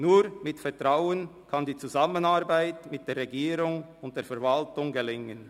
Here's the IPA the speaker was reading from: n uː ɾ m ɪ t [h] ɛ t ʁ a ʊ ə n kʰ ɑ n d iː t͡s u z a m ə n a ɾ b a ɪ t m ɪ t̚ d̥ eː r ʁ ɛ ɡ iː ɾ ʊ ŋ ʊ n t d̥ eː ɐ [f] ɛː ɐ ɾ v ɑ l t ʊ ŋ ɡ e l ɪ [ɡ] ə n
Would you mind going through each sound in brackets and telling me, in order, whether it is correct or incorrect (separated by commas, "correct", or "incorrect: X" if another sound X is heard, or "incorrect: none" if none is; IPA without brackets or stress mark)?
incorrect: f, correct, incorrect: ŋ